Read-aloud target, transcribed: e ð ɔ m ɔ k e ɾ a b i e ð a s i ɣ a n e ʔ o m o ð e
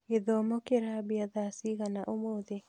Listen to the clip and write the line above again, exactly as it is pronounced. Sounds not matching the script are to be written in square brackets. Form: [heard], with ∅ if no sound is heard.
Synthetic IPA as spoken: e ð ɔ m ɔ k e ɾ a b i [a] ð a s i ɣ a n [a] ʔ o m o ð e